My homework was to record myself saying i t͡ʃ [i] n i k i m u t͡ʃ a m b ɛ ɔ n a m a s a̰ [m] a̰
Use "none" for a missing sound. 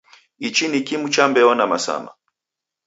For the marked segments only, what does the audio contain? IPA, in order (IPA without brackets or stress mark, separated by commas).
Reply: i, m